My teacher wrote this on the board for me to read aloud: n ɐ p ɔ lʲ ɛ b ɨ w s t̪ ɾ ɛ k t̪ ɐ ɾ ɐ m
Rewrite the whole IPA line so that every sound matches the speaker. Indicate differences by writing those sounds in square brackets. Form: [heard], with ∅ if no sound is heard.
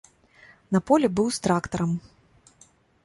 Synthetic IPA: n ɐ p ɔ lʲ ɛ b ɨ w s t̪ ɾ [a] k t̪ ɐ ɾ ɐ m